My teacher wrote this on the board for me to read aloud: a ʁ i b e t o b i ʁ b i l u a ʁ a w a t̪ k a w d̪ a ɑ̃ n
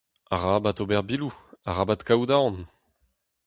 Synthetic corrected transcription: a ʁ a b a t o b ɛ ʁ b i l u a ʁ a b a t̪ k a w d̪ a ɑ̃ n